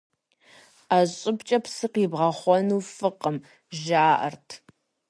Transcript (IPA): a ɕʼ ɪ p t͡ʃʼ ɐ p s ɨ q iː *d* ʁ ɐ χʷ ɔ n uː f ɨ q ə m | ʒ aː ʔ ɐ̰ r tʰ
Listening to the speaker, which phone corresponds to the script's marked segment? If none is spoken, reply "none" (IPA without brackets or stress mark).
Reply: b